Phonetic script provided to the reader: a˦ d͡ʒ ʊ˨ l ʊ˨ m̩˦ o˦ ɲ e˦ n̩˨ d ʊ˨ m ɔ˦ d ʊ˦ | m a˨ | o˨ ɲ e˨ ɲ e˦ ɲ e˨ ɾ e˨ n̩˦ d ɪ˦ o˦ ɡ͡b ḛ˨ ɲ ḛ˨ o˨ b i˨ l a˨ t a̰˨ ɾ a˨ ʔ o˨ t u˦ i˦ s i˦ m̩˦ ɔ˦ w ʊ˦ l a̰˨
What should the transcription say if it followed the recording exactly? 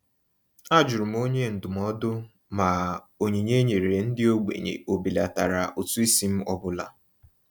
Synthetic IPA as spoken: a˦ d͡ʒ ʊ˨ ɾ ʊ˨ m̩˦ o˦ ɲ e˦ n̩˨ d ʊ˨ m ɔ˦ d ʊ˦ | m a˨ | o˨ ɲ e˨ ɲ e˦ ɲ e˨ ɾ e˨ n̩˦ d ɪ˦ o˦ ɡ͡b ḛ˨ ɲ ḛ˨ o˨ b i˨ l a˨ t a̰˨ ɾ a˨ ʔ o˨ t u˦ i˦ s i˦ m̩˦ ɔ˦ b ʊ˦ l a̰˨

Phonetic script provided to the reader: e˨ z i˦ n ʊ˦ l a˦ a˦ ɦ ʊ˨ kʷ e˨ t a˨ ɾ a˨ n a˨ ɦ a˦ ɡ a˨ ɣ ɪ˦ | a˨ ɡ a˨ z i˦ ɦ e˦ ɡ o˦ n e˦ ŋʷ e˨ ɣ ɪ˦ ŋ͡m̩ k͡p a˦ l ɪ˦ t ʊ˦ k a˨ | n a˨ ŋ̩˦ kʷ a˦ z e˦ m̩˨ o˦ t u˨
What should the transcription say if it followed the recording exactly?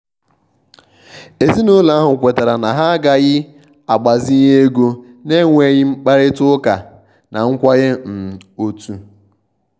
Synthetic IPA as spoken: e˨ z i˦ n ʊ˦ l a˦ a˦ ɦ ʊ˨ kʷ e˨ t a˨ ɾ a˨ n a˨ ɦ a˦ ɡ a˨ ɣ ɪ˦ | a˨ ɡ͡b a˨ z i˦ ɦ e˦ ɡ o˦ n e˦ ŋʷ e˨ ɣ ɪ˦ ŋ͡m̩ k͡p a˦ ɾ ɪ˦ t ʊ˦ k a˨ | n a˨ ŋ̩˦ kʷ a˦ ɣ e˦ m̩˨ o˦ t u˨

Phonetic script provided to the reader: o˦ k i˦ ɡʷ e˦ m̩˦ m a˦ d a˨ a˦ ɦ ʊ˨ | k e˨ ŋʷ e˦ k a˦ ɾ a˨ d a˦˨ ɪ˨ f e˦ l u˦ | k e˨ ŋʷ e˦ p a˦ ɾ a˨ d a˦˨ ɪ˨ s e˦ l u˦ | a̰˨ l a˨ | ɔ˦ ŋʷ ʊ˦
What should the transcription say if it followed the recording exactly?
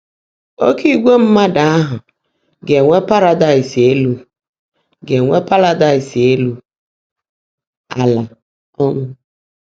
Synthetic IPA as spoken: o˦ k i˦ ɡʷ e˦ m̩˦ m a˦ d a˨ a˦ ɦ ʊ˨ | ɡ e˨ ŋʷ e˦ p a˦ ɾ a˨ d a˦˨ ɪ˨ s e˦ l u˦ | ɡ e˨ ŋʷ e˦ p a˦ ɾ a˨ d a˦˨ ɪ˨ s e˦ l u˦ | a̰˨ l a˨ | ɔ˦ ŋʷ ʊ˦

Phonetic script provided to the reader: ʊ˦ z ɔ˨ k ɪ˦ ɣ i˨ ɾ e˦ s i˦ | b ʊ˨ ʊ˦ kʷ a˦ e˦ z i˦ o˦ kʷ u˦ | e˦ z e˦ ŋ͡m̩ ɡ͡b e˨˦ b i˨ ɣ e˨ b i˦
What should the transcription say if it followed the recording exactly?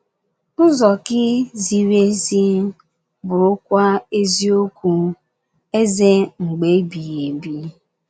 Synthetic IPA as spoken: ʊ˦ z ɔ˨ k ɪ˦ z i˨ ɾ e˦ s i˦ | b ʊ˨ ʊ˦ kʷ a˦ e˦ z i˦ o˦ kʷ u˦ | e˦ z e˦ ŋ͡m̩ ɡ͡b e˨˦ b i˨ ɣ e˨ b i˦

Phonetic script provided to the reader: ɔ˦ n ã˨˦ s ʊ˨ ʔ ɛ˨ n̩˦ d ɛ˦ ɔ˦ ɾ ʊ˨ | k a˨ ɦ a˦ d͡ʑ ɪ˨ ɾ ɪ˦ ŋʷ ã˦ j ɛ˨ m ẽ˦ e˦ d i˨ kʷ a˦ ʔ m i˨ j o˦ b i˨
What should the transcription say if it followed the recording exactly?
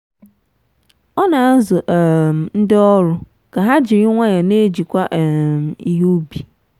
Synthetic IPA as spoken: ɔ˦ n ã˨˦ z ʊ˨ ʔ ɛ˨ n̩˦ d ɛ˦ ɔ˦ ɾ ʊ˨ | k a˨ ɦ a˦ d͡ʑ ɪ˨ ɾ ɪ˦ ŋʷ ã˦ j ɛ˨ n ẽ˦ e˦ d͡ʑ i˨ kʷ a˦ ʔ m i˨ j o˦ b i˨

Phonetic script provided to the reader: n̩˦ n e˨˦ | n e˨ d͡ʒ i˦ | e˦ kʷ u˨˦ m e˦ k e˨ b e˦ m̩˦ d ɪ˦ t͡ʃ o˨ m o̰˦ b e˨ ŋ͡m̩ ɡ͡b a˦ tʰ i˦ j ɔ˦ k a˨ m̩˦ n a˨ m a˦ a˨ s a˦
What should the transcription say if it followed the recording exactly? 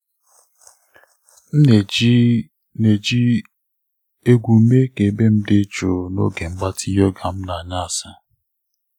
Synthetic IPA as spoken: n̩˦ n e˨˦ | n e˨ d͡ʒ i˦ | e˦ ɡʷ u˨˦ m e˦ k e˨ b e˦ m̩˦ d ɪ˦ t͡ʃ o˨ n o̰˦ ɡ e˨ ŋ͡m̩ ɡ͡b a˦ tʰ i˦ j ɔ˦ ɡ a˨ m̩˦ n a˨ ɲ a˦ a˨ s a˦

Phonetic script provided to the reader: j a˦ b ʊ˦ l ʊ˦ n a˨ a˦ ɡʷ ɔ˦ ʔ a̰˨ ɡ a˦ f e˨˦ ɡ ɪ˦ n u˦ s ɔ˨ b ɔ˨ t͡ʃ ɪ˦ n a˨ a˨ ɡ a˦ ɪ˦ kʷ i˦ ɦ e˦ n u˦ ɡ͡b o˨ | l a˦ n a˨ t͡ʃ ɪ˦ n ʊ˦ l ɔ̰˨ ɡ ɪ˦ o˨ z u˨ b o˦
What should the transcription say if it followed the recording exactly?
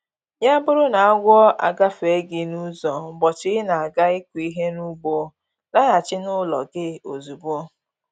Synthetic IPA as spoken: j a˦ b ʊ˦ ɾ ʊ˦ n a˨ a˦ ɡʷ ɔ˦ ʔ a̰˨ ɡ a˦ f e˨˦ ɡ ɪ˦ n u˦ z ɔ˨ b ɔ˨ t͡ʃ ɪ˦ n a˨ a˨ ɡ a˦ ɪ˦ kʷ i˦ ɦ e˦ n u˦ ɡ͡b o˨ | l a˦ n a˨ t͡ʃ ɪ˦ n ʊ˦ l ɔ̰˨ ɡ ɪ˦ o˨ z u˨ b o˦

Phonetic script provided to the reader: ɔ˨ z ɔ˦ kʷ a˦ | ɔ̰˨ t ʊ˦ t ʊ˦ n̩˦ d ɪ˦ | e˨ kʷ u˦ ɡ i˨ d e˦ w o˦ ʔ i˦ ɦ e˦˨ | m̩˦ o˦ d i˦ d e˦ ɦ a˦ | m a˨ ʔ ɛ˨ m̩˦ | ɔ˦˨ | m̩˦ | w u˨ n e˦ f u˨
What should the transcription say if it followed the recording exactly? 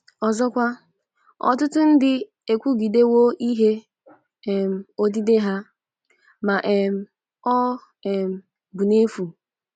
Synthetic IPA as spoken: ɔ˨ z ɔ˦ kʷ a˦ | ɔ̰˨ t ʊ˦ t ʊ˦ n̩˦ d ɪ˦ | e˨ kʷ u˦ ɡ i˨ d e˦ w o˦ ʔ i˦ ɦ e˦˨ | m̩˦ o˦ d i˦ d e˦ ɦ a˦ | m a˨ ʔ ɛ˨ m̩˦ | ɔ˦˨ | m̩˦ | b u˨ n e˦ f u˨

